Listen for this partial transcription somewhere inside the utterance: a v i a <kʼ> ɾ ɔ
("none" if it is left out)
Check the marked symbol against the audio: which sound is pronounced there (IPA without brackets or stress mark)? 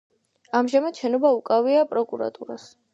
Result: pʼ